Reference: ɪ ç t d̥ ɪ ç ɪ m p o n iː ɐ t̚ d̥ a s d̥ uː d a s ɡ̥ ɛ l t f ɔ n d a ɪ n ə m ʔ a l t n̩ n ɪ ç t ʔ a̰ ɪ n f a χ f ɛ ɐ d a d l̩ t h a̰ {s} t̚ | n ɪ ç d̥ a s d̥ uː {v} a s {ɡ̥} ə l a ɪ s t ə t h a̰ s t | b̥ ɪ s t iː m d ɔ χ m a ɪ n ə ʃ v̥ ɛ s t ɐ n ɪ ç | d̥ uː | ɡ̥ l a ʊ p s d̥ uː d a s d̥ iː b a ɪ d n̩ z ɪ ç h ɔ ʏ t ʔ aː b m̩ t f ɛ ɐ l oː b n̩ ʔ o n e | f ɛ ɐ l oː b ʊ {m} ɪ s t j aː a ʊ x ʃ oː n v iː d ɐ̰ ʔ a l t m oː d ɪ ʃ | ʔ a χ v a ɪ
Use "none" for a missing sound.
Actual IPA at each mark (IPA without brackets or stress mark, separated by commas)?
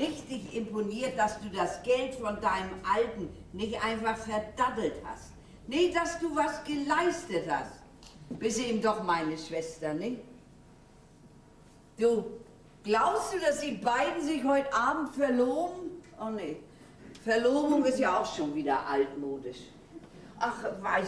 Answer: s, v, ɡ̥, ŋ